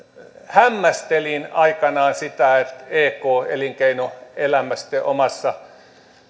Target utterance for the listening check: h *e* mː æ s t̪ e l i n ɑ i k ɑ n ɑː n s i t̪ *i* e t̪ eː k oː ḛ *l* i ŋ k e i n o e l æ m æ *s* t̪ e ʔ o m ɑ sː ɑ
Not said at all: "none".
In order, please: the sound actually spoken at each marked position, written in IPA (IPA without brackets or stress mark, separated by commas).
æ, æ, l, s